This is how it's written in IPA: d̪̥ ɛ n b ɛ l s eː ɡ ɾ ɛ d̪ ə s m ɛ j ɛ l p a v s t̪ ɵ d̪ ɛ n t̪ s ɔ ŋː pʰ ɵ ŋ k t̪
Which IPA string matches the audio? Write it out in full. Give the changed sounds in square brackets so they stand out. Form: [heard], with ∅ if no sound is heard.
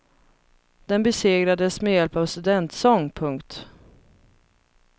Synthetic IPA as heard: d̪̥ ɛ n b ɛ [∅] s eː ɡ ɾ [a] d̪ ə s m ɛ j ɛ l p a v s t̪ ɵ d̪ ɛ n t̪ s ɔ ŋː pʰ ɵ ŋ k t̪